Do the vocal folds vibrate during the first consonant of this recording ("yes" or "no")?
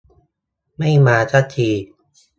yes